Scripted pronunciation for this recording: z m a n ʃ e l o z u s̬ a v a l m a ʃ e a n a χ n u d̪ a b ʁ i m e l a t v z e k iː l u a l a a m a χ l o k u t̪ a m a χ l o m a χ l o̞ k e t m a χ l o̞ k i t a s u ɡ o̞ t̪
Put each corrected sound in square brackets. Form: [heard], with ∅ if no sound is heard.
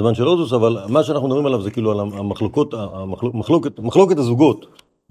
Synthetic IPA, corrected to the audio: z m a n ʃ e l o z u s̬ a v a l m a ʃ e a n a χ n u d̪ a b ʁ i m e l a [∅] v z e k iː l u a l a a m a χ l o k [o] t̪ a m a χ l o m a χ l o̞ k e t m a χ l o̞ k [e] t a [z] u ɡ o̞ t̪